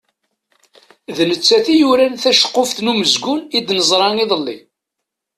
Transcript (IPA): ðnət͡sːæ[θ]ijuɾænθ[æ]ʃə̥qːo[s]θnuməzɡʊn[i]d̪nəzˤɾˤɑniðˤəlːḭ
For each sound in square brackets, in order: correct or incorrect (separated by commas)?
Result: correct, correct, incorrect, correct